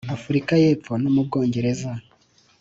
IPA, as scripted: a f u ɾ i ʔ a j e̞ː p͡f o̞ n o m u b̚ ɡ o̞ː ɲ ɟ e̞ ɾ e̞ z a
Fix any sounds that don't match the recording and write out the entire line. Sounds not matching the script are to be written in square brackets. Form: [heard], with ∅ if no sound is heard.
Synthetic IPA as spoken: a f u ɾ i [k] a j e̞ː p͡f o̞ n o m u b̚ ɡ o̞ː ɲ ɟ e̞ ɾ e̞ z a